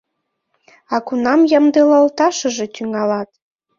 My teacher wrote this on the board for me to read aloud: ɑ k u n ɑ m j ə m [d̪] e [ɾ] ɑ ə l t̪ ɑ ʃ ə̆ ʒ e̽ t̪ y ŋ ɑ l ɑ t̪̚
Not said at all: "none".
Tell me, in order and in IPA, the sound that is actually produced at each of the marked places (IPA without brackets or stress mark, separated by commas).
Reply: d̪, l